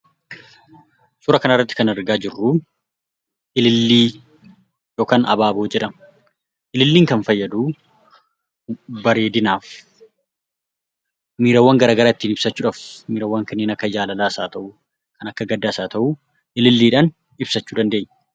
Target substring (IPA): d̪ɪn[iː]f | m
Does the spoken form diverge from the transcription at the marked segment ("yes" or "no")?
yes